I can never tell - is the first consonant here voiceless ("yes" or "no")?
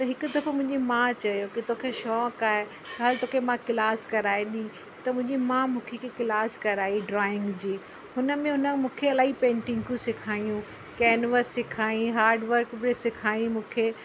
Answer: yes